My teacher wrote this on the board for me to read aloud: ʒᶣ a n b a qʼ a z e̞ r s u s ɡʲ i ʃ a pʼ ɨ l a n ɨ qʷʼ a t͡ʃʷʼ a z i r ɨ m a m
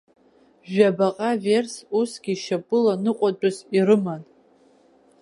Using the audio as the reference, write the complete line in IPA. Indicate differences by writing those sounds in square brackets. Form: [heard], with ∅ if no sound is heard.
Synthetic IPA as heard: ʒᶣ a [∅] b a qʼ a [v] e̞ r s u s ɡʲ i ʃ a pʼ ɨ l a n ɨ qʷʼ a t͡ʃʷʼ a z i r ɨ m a [n]

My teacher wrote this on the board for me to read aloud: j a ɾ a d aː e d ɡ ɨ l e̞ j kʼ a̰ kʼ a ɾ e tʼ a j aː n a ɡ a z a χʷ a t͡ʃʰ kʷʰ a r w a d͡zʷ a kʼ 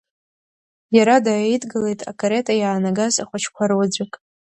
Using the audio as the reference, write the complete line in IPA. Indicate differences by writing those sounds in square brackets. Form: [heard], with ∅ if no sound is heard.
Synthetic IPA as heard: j a ɾ a d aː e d ɡ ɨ l e̞ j [tʼ] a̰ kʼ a ɾ e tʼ a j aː n a ɡ a z a χʷ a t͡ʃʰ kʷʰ a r w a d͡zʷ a kʼ

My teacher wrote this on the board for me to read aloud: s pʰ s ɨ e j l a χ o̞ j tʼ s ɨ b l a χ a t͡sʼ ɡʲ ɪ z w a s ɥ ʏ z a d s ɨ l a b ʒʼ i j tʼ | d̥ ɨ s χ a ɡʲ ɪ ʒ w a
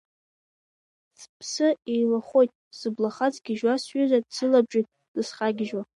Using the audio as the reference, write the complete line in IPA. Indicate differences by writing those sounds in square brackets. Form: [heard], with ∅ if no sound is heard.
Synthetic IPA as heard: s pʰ s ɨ e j l a χ o̞ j tʼ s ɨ b l a χ a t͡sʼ ɡʲ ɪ [ʒ] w a s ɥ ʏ z a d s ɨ l a b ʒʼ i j tʼ | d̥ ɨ s χ a ɡʲ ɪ ʒ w a

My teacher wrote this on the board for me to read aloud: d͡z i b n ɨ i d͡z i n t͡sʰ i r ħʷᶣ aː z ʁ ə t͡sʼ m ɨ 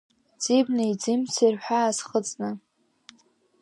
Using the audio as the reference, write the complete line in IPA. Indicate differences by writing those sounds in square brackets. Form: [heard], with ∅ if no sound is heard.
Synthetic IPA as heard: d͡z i b n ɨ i d͡z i [m] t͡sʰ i r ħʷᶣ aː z [χ] ə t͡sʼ [n] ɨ

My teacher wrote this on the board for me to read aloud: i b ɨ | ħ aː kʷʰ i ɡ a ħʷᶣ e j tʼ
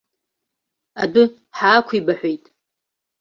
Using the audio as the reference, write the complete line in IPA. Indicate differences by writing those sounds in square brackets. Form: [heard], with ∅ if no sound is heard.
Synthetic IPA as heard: [a] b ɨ | ħ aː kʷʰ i [b] a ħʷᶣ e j tʼ

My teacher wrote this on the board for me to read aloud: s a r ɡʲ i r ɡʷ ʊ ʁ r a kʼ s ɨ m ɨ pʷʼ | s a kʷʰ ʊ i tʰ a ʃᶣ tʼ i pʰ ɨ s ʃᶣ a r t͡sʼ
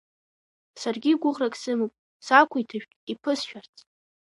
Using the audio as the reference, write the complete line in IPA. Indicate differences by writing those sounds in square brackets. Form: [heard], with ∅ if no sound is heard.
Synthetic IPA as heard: s a r ɡʲ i [∅] ɡʷ ʊ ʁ r a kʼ s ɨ m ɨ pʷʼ | s a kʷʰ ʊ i tʰ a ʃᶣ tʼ i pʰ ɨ s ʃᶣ a r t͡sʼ

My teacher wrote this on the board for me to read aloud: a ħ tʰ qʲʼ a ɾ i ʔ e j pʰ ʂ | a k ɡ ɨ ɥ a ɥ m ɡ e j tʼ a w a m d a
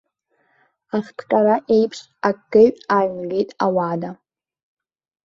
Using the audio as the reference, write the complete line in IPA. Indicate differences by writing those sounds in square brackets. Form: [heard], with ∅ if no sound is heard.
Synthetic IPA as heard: a [χ] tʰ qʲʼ a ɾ [a] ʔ e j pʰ ʂ | a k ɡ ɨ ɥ a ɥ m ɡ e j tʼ a w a [∅] d a

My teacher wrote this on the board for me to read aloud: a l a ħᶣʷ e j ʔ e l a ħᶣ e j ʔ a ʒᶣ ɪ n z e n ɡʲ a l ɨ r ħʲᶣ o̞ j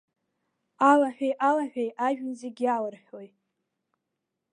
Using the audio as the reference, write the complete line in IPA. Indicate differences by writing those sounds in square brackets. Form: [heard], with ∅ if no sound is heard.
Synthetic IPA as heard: a l a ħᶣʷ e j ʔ [a] l a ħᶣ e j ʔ a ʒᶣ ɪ n z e [∅] ɡʲ a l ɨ r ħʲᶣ o̞ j

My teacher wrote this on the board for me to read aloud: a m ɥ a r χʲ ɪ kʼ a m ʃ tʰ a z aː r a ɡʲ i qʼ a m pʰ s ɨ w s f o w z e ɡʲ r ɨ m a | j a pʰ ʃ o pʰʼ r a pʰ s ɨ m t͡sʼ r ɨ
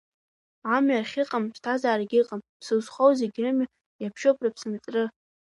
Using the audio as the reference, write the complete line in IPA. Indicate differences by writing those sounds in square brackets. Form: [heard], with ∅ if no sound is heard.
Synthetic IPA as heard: a m ɥ a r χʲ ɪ [qʼ] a m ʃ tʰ a z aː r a ɡʲ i qʼ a m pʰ s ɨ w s [χ] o w z e ɡʲ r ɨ m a | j a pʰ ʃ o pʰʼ r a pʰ s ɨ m t͡sʼ r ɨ

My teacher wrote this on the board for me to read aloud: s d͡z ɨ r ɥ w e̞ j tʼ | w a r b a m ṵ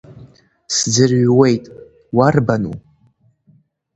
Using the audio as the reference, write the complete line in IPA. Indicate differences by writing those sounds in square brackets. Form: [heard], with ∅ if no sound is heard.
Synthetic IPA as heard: s d͡z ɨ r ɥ w e̞ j tʼ | w a r b a [n] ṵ

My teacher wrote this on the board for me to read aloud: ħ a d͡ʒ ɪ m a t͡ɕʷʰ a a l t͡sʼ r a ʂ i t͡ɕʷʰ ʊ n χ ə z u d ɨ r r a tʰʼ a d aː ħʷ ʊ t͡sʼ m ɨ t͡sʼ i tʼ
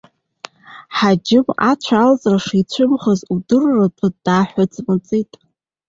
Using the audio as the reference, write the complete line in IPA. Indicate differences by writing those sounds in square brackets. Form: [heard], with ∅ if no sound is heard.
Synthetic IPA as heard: ħ a d͡ʒ ɪ m a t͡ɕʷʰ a a l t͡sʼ r a ʂ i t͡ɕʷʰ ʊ [m] χ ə z u d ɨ r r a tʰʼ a d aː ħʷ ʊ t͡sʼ m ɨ t͡sʼ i tʼ

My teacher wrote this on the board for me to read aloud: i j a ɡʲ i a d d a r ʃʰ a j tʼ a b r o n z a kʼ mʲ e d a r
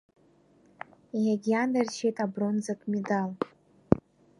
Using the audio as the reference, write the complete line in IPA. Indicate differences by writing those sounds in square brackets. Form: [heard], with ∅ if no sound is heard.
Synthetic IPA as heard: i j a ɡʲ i a [n] d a r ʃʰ [e] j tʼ a b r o n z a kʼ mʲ e d a [l]

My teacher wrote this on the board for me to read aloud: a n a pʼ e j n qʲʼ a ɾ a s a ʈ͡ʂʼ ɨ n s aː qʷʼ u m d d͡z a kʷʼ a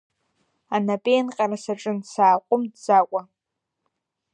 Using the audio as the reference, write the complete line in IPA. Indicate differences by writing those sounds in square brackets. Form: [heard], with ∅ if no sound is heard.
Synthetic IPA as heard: a n a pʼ e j n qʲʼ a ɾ a s a ʈ͡ʂʼ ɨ n s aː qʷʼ [ʊ] m d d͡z a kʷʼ a

